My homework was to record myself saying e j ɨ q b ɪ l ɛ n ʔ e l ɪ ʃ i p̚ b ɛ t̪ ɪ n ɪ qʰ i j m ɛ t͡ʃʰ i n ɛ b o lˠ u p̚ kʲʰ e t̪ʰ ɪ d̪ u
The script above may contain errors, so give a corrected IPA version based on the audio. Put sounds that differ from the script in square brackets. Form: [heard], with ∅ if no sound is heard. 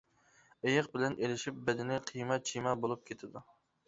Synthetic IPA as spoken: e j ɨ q b ɪ l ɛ n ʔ e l ɪ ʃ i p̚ b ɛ [d̪] ɪ n ɪ qʰ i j m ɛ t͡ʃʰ i [m] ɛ b o lˠ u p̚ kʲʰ e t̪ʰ ɪ d̪ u

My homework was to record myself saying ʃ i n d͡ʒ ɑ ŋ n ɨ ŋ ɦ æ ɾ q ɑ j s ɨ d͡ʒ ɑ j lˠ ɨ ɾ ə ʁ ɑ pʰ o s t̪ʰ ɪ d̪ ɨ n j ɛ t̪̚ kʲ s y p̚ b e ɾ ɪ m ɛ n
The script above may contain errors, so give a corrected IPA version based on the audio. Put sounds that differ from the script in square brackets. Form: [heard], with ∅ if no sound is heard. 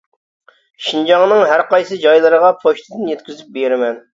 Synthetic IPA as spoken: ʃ i n d͡ʒ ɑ ŋ n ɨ ŋ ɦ æ ɾ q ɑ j s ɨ d͡ʒ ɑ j lˠ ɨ ɾ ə ʁ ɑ pʰ o [ʃ] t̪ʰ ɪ d̪ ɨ n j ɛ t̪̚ kʲ [z] y p̚ b e ɾ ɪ m ɛ n

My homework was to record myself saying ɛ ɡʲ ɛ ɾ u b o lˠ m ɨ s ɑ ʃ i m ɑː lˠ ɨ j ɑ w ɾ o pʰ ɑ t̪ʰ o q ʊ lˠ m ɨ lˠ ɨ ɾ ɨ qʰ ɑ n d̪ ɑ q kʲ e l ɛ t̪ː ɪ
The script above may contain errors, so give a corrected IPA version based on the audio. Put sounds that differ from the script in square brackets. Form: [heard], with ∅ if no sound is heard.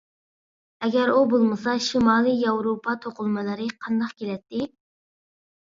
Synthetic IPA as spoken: ɛ ɡʲ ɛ ɾ u b o lˠ m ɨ s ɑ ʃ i m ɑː lˠ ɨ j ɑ w ɾ o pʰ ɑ t̪ʰ o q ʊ lˠ m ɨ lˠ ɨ ɾ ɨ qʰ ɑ n d̪ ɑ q kʲ e l ɛ t̪ː ɪ

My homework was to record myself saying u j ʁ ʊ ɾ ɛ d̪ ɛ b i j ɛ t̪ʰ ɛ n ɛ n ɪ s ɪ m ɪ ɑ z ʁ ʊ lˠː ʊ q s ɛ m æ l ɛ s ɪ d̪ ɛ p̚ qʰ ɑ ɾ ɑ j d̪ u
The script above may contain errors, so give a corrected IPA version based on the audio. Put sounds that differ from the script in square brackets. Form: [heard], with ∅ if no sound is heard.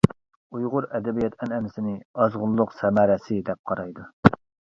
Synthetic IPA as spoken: u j ʁ ʊ ɾ ɛ d̪ ɛ b i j ɛ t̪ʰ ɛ n ɛ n ɪ s ɪ [n] ɪ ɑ z ʁ ʊ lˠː ʊ q s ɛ m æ [ɾ] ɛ s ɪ d̪ ɛ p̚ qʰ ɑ ɾ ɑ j d̪ u

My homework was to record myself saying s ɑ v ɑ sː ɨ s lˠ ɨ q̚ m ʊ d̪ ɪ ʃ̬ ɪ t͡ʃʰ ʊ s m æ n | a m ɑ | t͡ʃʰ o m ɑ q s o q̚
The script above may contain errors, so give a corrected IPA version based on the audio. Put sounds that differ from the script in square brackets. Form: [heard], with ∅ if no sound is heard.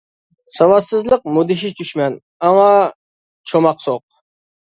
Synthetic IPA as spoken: s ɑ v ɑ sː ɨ [z] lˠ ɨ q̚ m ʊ d̪ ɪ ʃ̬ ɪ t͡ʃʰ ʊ [ʃ] m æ n | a m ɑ | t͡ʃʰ o m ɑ q s o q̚

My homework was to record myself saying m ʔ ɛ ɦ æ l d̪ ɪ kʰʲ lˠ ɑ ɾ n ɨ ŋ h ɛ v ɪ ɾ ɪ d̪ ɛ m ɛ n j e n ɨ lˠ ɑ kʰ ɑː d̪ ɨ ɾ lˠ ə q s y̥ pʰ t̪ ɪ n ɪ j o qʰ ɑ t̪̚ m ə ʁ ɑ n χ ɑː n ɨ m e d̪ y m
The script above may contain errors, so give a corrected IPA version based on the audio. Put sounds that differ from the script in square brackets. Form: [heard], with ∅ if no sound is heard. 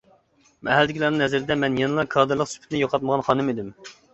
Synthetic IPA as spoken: m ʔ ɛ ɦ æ l d̪ ɪ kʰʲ lˠ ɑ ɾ n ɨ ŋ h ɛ [z] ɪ ɾ ɪ d̪ ɛ m ɛ n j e n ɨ lˠ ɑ kʰ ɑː d̪ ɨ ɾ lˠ ə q s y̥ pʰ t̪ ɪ n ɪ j o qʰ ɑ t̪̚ m ə ʁ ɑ n χ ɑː n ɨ m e d̪ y m

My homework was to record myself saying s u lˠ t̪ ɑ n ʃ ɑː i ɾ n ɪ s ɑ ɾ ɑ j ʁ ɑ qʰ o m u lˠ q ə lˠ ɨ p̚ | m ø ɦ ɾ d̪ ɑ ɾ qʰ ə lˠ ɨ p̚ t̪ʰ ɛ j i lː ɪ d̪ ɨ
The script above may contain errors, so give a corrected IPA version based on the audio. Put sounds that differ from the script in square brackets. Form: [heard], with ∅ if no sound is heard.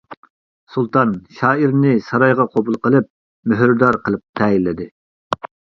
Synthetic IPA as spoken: s u lˠ t̪ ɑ n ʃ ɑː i ɾ n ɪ s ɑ ɾ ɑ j ʁ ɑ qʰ o [b] u lˠ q ə lˠ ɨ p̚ | m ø ɦ ɾ d̪ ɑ ɾ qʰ ə lˠ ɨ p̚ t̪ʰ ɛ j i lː ɪ d̪ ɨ

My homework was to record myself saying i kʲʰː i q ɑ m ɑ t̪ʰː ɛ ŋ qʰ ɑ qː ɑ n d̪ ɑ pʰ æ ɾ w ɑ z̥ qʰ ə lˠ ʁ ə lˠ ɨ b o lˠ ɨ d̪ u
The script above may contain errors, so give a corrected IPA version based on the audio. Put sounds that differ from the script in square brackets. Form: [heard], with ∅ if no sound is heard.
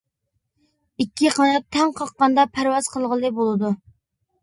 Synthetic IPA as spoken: i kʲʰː i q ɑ [n] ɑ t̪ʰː ɛ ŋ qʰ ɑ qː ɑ n d̪ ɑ pʰ æ ɾ w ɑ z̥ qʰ ə lˠ ʁ ə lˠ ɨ b o lˠ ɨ d̪ u

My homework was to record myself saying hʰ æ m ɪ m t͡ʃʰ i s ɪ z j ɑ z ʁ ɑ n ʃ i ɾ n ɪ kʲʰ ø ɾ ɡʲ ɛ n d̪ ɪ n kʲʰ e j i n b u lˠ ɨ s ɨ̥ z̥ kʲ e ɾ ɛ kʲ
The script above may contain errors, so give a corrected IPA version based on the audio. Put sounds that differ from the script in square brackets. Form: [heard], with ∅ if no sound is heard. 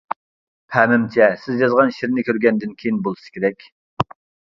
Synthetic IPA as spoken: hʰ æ m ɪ m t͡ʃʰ [ɛ] s ɪ z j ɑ z ʁ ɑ n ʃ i ɾ n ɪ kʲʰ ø ɾ ɡʲ ɛ n d̪ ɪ n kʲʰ e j i n b [o] lˠ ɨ s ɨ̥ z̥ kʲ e ɾ ɛ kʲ

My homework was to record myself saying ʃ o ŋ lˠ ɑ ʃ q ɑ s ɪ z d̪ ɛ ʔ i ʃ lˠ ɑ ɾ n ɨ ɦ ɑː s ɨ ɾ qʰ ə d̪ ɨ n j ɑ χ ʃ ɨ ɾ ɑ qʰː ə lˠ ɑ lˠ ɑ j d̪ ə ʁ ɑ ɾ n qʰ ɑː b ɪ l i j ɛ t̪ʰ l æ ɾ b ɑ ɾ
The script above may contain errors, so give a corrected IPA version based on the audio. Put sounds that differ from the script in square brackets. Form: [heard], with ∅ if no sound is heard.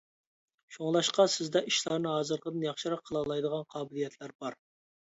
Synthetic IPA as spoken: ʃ o ŋ lˠ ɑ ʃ q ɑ s ɪ z d̪ ɛ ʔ i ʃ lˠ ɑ ɾ n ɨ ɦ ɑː [z] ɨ ɾ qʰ ə d̪ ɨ n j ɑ χ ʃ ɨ ɾ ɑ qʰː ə lˠ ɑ lˠ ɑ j d̪ ə ʁ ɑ [∅] n qʰ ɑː b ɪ l i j ɛ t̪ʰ l æ ɾ b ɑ ɾ

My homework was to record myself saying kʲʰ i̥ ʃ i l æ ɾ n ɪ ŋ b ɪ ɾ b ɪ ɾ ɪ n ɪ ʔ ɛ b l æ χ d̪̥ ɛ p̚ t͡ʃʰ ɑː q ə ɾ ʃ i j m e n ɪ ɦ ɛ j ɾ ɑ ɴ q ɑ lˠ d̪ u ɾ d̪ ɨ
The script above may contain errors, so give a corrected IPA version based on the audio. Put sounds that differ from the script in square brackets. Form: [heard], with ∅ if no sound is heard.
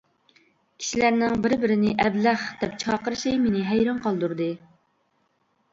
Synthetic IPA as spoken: kʲʰ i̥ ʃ i l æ ɾ n ɪ ŋ b ɪ ɾ b ɪ ɾ ɪ n ɪ ʔ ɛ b l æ χ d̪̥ ɛ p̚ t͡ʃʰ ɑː q ə ɾ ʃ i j m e n ɪ ɦ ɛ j ɾ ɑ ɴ q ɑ lˠ d̪ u ɾ d̪ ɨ

